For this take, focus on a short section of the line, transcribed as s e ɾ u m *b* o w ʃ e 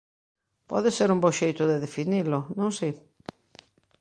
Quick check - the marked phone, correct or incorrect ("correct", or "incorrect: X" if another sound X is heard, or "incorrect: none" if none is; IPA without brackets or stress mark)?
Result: correct